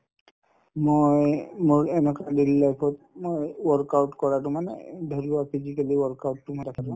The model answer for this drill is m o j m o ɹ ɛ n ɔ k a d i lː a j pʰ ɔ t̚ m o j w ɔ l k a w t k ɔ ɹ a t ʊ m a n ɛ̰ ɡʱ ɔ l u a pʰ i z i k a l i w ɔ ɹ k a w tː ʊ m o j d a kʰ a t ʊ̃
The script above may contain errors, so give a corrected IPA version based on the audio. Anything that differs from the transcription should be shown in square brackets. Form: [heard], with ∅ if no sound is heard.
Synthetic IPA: m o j m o ɹ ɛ n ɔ k a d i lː a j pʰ ɔ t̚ m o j w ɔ [ɹ] k a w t k ɔ ɹ a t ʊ m a n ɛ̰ [dʱ] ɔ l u a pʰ i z i k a l i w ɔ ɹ k a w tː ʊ m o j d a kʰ a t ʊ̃